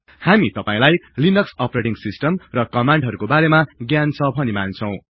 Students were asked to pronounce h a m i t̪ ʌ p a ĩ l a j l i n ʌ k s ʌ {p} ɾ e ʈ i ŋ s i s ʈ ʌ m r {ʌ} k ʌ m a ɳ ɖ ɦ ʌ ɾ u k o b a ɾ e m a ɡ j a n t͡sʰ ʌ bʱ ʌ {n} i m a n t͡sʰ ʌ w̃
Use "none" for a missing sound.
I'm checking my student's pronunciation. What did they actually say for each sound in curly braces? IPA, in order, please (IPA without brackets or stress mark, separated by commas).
p, ʌ, n